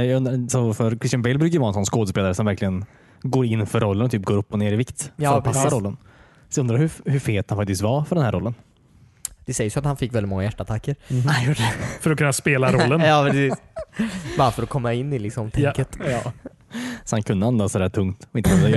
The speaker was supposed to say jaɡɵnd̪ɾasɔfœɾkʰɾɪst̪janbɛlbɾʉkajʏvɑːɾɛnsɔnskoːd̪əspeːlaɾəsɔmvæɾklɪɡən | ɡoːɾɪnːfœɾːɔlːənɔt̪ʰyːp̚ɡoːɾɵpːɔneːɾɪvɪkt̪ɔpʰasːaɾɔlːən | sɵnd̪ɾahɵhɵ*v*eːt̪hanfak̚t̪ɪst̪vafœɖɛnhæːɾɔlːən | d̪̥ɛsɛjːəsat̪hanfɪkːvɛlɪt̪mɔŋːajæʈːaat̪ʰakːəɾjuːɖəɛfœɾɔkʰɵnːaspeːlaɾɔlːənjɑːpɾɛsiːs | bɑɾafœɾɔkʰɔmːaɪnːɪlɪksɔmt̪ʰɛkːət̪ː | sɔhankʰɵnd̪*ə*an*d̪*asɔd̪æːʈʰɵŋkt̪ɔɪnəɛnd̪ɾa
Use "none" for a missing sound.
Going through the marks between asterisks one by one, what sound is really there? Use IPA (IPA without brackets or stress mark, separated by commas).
f, ə, d̪